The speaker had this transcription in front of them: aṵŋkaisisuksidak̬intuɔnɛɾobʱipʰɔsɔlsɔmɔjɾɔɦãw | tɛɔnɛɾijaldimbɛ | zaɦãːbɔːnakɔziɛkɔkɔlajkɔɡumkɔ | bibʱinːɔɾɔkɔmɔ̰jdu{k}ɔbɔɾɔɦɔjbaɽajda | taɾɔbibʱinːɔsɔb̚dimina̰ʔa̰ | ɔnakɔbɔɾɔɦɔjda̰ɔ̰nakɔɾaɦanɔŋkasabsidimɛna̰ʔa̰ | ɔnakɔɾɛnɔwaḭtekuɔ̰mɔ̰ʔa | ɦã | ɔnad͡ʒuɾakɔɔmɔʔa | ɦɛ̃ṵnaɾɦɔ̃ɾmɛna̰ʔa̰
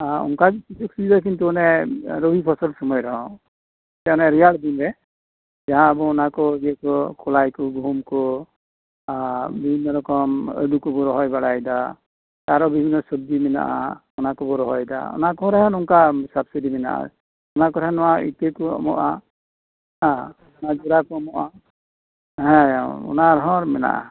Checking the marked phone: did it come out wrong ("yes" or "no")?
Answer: no